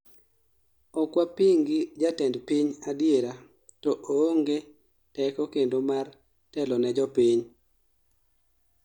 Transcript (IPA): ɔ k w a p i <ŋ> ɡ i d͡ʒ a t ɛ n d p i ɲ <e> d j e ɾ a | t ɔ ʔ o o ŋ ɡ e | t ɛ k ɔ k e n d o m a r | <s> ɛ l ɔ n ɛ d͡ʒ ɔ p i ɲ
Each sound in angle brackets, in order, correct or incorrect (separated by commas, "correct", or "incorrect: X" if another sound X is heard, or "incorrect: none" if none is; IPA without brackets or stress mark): correct, incorrect: a, incorrect: t